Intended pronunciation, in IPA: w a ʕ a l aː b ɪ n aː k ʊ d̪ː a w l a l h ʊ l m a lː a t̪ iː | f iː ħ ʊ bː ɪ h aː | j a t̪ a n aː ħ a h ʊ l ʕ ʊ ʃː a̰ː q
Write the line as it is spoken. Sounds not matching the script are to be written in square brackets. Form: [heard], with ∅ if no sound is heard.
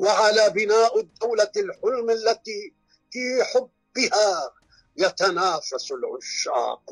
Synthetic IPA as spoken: w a ʕ a l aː b ɪ n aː [ʔ] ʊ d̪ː a w l a l [ħ] ʊ l m a lː a t̪ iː | f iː ħ ʊ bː ɪ h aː | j a t̪ a n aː [f] a [s] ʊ l ʕ ʊ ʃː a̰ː q